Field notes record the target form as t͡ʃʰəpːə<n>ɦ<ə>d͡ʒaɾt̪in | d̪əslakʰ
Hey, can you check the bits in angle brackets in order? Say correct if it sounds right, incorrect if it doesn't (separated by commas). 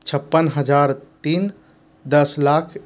correct, correct